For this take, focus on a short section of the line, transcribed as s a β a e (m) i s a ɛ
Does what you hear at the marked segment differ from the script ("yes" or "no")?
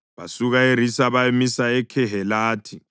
no